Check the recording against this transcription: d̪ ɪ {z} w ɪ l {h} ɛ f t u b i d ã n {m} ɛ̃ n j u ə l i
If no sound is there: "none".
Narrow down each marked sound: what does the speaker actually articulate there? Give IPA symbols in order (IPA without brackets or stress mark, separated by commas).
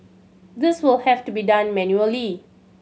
s, h, m